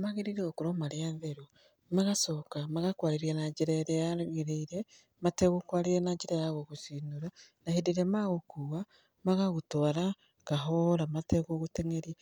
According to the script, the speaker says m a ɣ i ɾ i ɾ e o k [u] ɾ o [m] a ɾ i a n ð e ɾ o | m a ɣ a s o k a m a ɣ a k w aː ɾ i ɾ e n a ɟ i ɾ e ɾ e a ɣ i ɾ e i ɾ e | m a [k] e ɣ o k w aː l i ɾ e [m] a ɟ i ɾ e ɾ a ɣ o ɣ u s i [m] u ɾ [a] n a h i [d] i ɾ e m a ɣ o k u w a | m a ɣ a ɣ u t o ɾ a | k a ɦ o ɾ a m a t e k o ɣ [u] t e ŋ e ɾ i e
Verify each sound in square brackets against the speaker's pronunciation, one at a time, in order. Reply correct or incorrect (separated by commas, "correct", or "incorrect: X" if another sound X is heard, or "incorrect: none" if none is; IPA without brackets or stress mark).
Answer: correct, correct, incorrect: t, incorrect: n, incorrect: n, correct, correct, correct